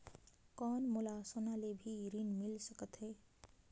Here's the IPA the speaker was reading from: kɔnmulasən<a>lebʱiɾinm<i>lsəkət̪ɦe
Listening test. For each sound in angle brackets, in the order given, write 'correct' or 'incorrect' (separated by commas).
correct, correct